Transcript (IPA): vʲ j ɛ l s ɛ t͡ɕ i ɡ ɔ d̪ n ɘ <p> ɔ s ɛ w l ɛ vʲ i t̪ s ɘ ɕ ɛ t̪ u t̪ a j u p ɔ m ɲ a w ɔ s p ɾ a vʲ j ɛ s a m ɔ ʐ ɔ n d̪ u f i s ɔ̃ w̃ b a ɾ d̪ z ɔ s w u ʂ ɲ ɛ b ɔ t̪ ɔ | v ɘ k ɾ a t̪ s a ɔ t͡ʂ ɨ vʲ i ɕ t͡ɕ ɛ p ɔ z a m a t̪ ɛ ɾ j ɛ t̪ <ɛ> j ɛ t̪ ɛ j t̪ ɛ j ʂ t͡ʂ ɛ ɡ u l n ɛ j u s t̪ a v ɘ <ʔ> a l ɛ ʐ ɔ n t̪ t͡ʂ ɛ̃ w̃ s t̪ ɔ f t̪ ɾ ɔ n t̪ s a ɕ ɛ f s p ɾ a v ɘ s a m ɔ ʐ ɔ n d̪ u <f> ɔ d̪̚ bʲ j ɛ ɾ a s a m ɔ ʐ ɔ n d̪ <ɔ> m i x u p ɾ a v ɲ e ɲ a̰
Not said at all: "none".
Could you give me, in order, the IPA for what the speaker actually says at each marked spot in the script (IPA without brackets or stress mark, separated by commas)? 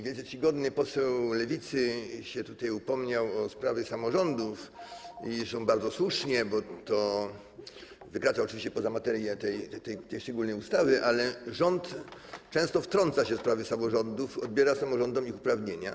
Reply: p, ɛ, ʔ, f, ɔ